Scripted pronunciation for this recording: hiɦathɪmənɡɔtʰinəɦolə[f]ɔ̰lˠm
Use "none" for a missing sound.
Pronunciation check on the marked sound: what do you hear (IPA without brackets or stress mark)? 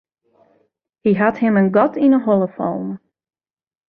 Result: f